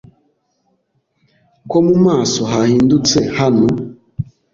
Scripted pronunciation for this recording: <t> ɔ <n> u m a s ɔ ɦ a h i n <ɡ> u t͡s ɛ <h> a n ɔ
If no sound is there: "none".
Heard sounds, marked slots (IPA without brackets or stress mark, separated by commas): k, m, d, h